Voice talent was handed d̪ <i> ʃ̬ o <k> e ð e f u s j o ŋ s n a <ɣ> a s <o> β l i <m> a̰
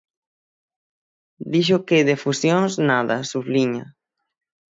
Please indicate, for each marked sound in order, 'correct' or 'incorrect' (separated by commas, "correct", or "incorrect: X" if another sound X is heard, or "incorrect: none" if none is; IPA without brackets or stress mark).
correct, correct, incorrect: ð, incorrect: u, incorrect: ɲ